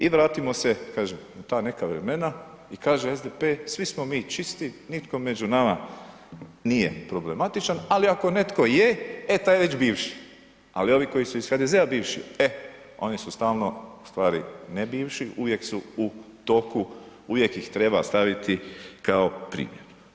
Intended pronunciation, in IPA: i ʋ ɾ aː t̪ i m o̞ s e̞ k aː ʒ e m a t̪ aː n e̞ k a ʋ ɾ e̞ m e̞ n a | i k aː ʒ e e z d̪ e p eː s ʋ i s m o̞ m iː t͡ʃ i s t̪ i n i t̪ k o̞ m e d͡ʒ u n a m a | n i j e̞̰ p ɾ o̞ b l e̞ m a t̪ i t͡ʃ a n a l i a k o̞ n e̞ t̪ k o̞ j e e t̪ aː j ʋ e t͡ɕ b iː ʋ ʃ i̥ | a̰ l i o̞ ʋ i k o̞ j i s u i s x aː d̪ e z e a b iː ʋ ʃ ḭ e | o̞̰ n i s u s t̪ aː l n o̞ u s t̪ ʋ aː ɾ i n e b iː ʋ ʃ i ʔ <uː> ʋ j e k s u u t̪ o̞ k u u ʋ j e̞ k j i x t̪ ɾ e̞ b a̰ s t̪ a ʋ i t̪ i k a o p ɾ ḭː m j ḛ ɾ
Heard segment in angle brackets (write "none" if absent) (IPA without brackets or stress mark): u